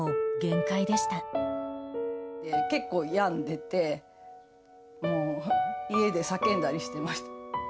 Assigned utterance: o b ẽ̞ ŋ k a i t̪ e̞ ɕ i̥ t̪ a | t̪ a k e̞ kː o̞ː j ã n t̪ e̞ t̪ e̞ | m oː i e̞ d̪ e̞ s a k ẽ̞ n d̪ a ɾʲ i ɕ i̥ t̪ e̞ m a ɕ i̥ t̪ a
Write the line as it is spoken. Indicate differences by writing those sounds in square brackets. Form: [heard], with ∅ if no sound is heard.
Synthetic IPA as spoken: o [ɡ] ẽ̞ ŋ k a i [d̪] e̞ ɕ i̥ t̪ a | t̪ [e] k e̞ kː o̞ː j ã n [d̪] e̞ t̪ e̞ | m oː i e̞ d̪ e̞ s a k ẽ̞ n d̪ a ɾʲ i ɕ i̥ t̪ e̞ m a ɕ i̥ t̪ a

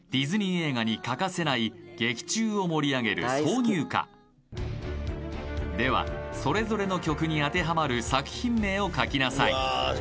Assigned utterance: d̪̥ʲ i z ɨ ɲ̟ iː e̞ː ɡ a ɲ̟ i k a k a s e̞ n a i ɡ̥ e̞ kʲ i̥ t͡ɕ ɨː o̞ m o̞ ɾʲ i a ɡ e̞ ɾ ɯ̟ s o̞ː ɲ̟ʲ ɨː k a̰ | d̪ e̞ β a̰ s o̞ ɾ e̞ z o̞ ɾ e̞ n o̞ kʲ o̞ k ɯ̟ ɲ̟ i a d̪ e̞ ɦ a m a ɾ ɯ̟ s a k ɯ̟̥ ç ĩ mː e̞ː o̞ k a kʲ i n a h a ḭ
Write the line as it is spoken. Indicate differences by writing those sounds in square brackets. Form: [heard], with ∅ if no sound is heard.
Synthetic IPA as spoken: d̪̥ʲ i z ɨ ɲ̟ [i] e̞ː ɡ a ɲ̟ i k a k a s e̞ n a i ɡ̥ e̞ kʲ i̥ t͡ɕ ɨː o̞ m o̞ ɾʲ i a ɡ e̞ ɾ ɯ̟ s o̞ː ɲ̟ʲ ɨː k a̰ | d̪ e̞ β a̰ s o̞ ɾ e̞ z o̞ ɾ e̞ n o̞ kʲ o̞ k ɯ̟ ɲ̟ i a [t̪] e̞ ɦ a m a ɾ ɯ̟ s a k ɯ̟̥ ç ĩ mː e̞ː o̞ k a kʲ i n a [s] a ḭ

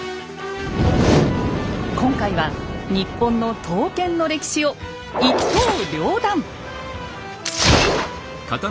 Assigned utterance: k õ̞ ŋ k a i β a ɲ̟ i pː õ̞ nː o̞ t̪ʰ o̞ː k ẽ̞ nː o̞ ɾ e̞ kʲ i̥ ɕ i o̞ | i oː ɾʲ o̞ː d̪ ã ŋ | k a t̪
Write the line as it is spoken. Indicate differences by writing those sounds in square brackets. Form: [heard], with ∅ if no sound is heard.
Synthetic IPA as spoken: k õ̞ ŋ k a i β a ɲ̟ i pː õ̞ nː o̞ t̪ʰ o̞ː k ẽ̞ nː o̞ ɾ e̞ kʲ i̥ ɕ i o̞ | i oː ɾʲ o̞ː d̪ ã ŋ | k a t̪

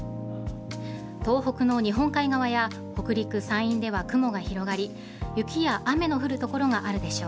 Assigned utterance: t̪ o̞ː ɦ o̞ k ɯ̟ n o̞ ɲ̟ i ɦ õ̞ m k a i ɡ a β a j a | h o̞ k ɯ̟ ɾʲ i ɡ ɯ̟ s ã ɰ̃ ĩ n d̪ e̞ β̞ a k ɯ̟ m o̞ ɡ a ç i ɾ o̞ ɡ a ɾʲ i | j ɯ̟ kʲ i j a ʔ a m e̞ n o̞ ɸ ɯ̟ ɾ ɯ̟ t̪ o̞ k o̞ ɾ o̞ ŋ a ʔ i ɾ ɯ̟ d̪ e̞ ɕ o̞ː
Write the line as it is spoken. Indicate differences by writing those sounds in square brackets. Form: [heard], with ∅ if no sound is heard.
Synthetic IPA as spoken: t̪ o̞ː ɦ o̞ k ɯ̟ n o̞ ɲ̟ i ɦ õ̞ [ŋ] k a i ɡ a β a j a | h o̞ k ɯ̟ ɾʲ i [k] ɯ̟ s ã ɰ̃ ĩ n d̪ e̞ β̞ a k ɯ̟ m o̞ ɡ a ç i ɾ o̞ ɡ a ɾʲ i | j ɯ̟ kʲ i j a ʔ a m e̞ n o̞ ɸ ɯ̟ ɾ ɯ̟ t̪ o̞ k o̞ ɾ o̞ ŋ a ʔ [a] ɾ ɯ̟ d̪ e̞ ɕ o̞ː

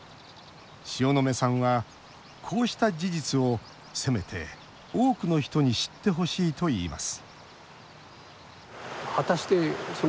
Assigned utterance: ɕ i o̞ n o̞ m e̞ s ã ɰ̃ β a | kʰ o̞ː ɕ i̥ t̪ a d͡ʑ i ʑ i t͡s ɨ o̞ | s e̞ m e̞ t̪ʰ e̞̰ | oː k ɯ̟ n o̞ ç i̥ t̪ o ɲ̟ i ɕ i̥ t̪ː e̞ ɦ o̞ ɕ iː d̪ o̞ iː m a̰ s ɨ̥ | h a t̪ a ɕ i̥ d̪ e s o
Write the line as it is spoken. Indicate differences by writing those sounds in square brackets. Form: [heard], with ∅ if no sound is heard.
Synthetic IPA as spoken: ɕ i o̞ n o̞ m e̞ s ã ɰ̃ β a | kʰ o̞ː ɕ i̥ t̪ a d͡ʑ i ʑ i t͡s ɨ o̞ | s e̞ m e̞ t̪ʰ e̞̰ | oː k ɯ̟ n o̞ ç i̥ t̪ o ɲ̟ i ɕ i̥ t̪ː e̞ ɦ o̞ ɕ iː [t̪] o̞ iː m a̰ s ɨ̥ | h a t̪ a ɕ i̥ [t̪] e s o

